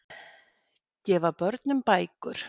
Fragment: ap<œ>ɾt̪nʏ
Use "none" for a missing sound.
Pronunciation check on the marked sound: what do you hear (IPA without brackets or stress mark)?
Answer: œ